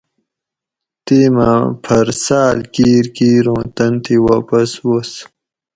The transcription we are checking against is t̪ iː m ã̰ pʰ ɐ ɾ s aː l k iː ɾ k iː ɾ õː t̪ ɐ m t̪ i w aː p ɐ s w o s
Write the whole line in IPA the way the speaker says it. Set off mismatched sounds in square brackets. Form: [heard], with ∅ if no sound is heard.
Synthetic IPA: t̪ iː m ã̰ pʰ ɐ ɾ s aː l k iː ɾ k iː ɾ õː t̪ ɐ [n] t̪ i w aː p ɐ s w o s